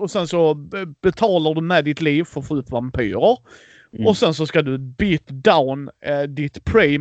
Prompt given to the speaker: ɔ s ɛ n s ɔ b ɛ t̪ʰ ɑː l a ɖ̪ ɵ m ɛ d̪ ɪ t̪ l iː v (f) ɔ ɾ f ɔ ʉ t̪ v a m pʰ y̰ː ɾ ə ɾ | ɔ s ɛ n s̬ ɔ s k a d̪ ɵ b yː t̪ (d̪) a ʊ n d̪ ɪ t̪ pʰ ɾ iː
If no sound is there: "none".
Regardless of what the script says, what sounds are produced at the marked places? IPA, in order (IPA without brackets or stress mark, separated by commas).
f, d̪